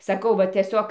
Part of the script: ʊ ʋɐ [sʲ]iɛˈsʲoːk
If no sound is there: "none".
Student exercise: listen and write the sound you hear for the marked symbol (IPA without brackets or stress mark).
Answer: tʲ